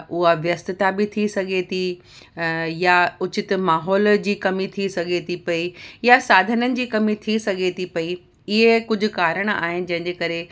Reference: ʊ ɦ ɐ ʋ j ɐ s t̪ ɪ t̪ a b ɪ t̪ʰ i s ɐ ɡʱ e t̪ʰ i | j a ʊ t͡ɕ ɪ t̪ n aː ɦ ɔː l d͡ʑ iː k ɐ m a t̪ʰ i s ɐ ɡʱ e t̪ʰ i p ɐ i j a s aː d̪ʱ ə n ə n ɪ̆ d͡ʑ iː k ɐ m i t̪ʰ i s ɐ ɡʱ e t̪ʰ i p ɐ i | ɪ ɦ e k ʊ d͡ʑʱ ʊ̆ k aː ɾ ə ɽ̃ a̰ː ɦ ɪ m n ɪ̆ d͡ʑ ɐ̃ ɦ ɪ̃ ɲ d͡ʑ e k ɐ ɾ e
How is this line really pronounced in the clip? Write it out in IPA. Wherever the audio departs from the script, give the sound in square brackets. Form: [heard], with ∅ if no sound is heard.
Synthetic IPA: ʊ ɦ [a] ʋ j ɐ s t̪ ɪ t̪ a b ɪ t̪ʰ i s ɐ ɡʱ e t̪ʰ i | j a ʊ t͡ɕ ɪ t̪ [m] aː ɦ ɔː l d͡ʑ iː k ɐ m [i] t̪ʰ i s ɐ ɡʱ e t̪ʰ i p ɐ i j a s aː d̪ʱ ə n ə n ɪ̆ d͡ʑ iː k ɐ m i t̪ʰ i s ɐ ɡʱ e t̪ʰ i p ɐ i | ɪ ɦ e k ʊ d͡ʑʱ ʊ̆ k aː ɾ ə ɽ̃ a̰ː ɦ ɪ [∅] n ɪ̆ d͡ʑ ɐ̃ ɦ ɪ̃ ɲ d͡ʑ e k ɐ ɾ e